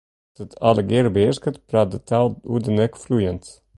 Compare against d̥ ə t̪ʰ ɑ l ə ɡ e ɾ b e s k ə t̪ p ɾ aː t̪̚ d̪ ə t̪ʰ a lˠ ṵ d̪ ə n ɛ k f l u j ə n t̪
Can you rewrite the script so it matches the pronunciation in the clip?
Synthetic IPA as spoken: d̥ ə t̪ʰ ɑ l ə ɡ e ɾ b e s k ə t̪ p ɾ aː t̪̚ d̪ ə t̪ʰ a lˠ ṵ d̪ ə n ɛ k f l u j ə n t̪